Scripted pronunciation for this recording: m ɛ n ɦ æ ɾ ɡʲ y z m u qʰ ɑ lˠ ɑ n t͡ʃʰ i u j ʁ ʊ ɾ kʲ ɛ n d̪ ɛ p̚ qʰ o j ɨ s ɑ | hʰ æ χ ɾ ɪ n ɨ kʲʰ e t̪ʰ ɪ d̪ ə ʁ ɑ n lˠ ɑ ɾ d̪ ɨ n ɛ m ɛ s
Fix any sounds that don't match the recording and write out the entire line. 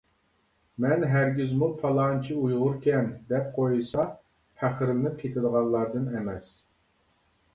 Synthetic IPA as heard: m ɛ n ɦ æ ɾ ɡʲ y z m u pʰ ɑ lˠ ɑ n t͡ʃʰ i u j ʁ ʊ ɾ kʲ ɛ n d̪ ɛ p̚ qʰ o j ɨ s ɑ | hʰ æ χ ɾ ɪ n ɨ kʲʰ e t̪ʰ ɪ d̪ ə ʁ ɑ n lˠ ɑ ɾ d̪ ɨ n ɛ m ɛ s